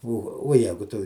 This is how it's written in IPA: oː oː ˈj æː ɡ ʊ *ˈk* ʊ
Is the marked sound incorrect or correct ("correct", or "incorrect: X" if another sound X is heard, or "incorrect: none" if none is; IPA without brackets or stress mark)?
incorrect: t